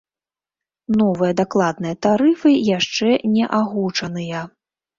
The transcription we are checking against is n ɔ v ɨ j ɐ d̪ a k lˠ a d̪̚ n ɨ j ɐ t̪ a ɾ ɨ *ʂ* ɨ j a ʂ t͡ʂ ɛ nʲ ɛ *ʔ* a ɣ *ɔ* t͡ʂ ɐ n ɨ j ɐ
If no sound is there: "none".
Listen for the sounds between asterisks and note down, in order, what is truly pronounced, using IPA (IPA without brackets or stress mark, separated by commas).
f, ʔ, u